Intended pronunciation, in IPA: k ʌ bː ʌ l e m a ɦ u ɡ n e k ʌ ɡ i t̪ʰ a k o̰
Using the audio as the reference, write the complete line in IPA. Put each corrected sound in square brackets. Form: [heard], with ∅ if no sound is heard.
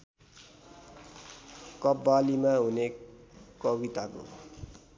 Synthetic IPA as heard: k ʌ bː [a] l [i] m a ɦ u [∅] n e k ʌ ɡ i [t̪] a k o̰